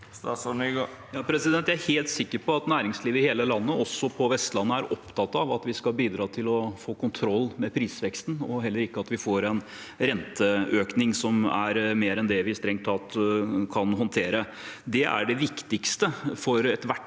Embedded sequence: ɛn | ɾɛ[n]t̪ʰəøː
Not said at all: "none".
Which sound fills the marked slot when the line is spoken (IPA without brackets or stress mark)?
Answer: n